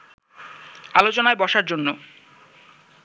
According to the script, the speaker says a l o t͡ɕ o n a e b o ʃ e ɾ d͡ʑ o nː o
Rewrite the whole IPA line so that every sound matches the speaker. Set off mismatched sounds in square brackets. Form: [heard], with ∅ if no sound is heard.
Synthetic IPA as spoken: a l o t͡ɕ o n a e b [ɔ] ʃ [a] ɾ d͡ʑ o nː o